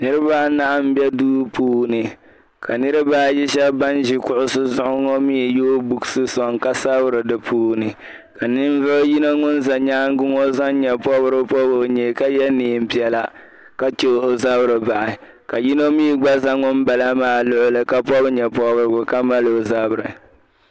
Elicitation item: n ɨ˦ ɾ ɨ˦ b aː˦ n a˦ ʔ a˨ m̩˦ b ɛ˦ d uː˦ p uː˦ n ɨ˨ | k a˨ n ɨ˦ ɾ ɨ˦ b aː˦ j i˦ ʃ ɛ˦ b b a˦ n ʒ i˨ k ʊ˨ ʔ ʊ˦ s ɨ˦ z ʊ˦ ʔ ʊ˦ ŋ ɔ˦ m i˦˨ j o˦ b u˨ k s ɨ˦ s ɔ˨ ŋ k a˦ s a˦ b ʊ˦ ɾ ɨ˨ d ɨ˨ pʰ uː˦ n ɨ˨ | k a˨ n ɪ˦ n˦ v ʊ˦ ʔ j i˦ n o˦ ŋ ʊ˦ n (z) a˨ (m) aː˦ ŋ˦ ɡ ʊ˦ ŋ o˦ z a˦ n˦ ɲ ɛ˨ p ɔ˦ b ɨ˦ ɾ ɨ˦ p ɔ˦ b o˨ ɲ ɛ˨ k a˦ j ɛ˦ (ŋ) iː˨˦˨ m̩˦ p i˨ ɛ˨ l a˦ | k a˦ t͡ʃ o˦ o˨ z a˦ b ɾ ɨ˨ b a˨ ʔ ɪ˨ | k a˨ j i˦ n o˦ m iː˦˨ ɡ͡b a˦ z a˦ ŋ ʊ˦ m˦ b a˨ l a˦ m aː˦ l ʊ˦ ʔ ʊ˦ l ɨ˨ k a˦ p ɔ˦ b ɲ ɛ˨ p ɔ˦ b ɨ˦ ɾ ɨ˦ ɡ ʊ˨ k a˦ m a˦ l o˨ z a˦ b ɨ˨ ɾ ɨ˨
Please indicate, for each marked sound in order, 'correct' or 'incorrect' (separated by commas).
correct, incorrect, incorrect